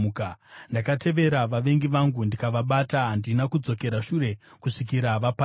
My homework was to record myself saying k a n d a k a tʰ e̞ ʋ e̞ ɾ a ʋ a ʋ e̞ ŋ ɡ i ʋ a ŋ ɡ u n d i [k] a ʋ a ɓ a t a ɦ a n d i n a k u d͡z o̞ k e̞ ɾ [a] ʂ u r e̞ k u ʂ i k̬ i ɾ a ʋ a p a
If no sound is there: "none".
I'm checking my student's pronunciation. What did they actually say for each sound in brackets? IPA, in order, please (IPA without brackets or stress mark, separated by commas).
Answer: k, a